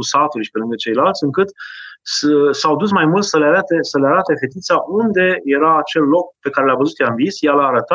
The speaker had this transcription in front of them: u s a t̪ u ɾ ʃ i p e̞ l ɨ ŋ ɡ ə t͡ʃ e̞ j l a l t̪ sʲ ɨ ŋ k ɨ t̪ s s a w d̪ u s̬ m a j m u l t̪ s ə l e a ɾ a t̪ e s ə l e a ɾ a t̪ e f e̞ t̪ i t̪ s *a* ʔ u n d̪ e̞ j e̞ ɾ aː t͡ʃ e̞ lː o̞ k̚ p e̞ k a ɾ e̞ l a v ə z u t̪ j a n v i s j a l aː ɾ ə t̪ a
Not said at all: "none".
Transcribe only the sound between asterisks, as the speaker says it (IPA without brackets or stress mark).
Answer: a